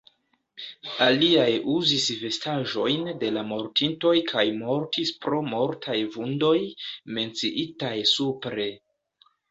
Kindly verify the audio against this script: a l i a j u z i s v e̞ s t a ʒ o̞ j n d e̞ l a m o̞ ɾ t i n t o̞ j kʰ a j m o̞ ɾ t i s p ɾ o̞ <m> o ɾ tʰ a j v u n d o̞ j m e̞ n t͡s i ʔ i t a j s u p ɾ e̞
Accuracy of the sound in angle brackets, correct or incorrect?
correct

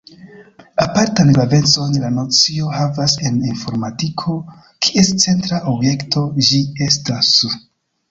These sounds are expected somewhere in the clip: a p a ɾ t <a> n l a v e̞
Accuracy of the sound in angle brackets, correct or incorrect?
correct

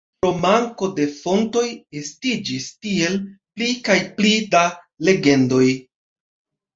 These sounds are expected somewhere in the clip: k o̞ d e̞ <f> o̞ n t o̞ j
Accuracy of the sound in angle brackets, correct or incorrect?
correct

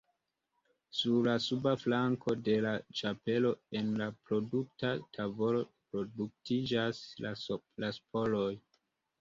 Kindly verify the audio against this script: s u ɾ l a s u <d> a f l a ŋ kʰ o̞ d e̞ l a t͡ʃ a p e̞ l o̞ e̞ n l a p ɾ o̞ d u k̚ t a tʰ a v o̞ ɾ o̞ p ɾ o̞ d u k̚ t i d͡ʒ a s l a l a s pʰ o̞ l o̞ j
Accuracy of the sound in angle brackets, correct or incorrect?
incorrect: b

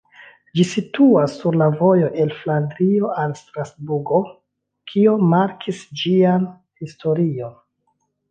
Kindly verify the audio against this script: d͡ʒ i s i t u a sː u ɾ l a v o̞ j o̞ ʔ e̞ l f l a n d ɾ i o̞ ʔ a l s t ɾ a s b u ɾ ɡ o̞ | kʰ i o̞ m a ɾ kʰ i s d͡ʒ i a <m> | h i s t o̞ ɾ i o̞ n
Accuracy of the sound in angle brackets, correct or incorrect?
incorrect: n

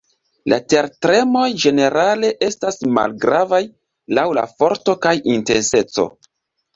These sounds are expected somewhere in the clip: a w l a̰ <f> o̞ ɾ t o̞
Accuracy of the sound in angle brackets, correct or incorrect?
correct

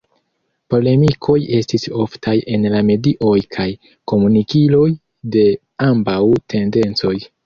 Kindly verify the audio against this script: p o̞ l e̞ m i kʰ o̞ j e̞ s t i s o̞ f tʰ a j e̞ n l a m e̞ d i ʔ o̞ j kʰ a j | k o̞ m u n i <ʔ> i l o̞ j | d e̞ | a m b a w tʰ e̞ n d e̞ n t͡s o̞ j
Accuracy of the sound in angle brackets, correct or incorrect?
incorrect: k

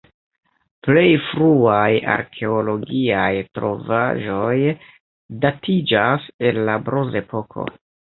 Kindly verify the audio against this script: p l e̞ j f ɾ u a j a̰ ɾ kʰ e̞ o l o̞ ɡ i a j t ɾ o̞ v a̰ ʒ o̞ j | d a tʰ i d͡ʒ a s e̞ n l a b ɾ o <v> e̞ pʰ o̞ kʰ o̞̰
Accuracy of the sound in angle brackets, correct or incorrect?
incorrect: z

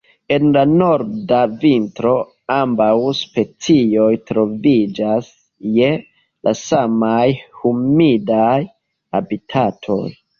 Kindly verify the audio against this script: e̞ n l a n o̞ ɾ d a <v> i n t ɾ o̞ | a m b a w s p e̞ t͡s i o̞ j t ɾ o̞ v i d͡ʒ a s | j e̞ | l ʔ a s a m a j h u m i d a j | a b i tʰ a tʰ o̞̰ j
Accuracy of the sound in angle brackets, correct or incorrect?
correct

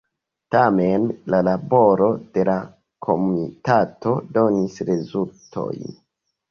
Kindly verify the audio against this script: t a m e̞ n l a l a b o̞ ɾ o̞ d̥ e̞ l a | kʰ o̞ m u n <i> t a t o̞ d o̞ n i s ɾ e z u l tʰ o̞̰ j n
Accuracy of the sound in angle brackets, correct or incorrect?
correct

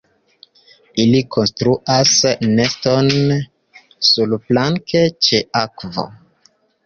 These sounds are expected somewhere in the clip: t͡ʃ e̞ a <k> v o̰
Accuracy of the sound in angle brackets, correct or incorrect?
correct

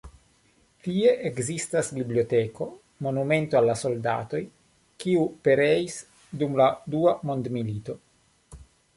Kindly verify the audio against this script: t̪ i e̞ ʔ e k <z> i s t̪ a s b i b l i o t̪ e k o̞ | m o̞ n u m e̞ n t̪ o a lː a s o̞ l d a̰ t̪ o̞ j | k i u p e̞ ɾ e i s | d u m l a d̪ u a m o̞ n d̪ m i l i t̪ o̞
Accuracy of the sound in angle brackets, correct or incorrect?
correct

